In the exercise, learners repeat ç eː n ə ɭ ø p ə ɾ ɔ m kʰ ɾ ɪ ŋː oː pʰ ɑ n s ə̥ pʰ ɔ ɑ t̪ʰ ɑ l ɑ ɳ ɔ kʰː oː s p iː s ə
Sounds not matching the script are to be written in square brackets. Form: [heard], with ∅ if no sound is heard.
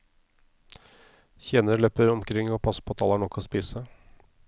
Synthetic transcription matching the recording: ç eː n ə ɭ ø p ə ɾ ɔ m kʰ ɾ ɪ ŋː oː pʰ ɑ [∅] s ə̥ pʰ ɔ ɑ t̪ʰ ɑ l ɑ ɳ ɔ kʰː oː s p iː s ə